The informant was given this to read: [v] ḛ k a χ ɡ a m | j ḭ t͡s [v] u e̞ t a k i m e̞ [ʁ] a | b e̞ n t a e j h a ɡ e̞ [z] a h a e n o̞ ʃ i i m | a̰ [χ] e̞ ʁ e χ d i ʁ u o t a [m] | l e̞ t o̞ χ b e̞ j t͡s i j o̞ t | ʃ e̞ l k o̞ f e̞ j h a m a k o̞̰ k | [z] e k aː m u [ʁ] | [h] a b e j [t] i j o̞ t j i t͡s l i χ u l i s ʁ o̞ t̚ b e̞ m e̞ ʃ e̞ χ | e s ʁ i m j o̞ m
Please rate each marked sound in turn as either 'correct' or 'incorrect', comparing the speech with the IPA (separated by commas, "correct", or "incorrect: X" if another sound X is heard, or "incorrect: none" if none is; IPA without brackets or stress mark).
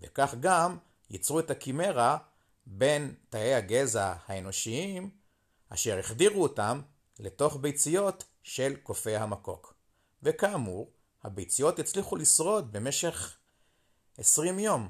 correct, incorrect: ʁ, correct, correct, incorrect: ʃ, correct, incorrect: v, correct, correct, incorrect: t͡s